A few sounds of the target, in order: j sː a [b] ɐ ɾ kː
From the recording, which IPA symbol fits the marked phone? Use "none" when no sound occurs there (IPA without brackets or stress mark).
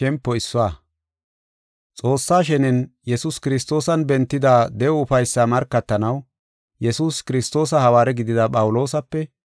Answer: m